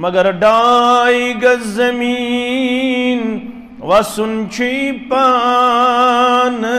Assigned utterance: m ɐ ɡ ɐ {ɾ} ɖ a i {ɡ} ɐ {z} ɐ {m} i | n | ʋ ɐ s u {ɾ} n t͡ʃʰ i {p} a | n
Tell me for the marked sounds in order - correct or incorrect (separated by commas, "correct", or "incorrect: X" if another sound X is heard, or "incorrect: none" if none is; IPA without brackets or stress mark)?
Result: correct, correct, correct, correct, incorrect: none, correct